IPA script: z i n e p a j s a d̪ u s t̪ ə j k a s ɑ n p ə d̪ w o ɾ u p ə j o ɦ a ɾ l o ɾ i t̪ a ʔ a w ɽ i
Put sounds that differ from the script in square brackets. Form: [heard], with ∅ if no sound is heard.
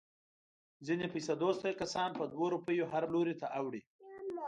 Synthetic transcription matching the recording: z i n e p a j s a d̪ [o] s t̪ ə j k a s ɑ n p ə d̪ w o ɾ u p ə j o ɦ a ɾ l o ɾ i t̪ a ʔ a w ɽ i